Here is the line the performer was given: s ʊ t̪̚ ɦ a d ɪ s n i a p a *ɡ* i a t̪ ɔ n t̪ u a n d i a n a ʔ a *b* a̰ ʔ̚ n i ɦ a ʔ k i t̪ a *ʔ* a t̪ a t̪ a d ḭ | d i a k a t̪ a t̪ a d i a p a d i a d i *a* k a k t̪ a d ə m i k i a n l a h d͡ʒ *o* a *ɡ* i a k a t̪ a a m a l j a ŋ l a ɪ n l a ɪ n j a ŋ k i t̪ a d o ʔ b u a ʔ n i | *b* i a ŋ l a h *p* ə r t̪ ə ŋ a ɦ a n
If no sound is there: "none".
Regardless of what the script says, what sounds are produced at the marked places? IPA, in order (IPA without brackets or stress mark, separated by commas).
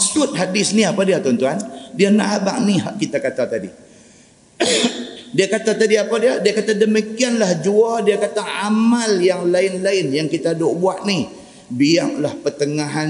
d, b, k, a, u, d, b, p